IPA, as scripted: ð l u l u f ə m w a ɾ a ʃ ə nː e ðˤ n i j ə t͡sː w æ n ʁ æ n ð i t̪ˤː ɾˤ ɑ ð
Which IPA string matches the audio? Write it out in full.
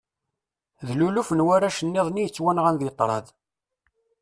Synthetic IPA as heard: ð l u l u f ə n w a ɾ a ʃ ə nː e ðˤ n i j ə t͡sː w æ n ʁ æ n ð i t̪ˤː ɾˤ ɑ ð